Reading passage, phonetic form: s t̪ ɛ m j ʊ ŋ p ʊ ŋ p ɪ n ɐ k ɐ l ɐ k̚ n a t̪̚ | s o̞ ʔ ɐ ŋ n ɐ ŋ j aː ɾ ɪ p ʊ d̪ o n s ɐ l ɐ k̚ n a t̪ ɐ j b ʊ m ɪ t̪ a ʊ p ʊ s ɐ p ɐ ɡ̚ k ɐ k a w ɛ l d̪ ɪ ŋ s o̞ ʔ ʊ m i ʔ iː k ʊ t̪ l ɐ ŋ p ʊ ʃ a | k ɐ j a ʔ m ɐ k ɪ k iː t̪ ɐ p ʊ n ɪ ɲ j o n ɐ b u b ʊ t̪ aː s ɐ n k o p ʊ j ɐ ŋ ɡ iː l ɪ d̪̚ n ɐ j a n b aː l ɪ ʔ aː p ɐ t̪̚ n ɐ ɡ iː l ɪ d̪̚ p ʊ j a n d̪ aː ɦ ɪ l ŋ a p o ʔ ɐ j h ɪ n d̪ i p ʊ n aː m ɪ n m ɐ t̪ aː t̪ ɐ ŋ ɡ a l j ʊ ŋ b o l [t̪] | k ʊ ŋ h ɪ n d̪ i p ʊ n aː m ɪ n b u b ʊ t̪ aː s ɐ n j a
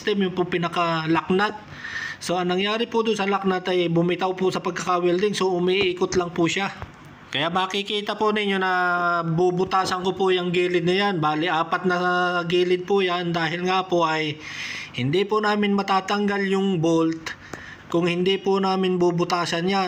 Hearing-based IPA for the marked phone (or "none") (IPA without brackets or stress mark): t̪